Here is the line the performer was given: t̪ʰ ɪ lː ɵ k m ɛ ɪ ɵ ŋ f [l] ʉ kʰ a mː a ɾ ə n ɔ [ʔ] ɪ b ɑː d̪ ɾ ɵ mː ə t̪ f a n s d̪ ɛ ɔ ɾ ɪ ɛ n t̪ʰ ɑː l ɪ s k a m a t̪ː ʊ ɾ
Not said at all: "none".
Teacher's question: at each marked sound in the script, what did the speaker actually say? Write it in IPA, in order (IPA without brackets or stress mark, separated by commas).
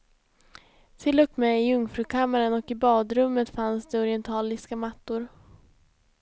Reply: ɾ, k